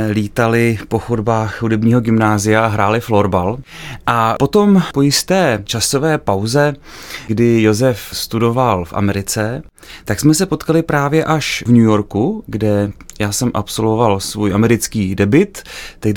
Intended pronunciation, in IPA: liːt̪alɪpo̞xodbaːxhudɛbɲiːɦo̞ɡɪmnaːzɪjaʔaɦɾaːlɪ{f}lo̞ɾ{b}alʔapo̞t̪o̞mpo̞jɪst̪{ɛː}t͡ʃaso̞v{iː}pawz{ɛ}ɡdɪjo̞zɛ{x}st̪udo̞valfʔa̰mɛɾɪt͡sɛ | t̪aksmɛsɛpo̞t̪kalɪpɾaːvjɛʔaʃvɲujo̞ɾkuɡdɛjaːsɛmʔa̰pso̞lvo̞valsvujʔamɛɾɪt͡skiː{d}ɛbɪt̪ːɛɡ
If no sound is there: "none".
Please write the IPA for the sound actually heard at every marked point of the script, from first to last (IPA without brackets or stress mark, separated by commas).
f, b, ɛː, ɛː, ɛ, f, d